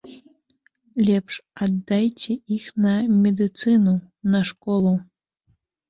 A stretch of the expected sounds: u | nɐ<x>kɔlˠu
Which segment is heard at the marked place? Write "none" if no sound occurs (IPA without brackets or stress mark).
ʂ